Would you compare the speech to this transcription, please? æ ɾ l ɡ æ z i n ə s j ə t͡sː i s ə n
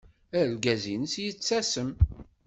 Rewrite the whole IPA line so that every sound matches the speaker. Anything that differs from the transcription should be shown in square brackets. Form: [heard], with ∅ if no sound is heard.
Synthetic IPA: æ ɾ l ɡ æ z i n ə s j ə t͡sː [æ] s ə [m]